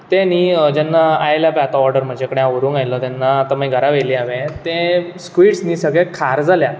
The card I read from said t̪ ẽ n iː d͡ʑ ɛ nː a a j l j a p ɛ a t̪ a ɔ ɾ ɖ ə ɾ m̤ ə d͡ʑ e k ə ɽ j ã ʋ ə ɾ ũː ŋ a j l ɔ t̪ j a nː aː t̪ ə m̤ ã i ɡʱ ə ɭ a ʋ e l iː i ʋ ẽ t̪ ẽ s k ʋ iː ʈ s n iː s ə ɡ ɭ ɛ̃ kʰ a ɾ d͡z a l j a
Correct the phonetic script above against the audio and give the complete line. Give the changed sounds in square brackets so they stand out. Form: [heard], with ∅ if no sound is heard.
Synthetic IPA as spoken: t̪ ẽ n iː d͡ʑ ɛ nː a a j l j a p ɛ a t̪ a ɔ ɾ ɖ ə ɾ m̤ ə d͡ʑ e k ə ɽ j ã ʋ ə ɾ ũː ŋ a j l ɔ t̪ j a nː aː t̪ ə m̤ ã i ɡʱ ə [ɾ] a ʋ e l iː [a] ʋ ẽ t̪ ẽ s k ʋ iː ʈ s n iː s ə ɡ ɭ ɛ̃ kʰ a ɾ d͡z a l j a